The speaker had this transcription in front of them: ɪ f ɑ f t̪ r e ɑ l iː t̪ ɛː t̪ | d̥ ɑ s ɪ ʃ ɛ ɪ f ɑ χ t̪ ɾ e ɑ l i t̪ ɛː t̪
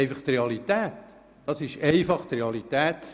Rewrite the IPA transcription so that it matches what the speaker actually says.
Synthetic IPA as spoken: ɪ f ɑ χ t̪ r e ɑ l i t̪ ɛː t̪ | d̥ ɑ s ɪ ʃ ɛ ɪ f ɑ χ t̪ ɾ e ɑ l i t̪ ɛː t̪